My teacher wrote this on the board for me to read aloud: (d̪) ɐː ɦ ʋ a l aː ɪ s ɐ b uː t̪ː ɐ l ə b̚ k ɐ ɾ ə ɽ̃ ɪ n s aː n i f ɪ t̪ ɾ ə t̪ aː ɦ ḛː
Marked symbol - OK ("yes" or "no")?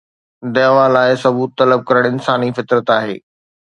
yes